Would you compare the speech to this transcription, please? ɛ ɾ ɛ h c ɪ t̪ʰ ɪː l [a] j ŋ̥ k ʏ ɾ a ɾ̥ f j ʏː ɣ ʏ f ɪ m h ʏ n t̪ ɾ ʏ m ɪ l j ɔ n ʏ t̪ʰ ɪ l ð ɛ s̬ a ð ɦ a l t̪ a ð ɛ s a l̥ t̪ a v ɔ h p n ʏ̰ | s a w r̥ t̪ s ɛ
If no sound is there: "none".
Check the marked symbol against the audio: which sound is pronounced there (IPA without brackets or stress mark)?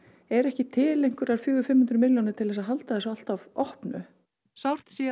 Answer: e